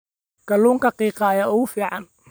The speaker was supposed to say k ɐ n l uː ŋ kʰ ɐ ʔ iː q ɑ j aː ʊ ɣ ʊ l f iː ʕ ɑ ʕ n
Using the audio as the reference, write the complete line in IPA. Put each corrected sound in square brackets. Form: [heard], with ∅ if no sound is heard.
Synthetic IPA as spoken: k ɐ [∅] l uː ŋ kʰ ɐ [q] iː q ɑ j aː ʊ ɣ ʊ [∅] f iː ʕ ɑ [∅] n